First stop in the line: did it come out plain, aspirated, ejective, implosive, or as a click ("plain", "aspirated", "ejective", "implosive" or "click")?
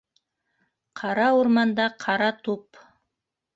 aspirated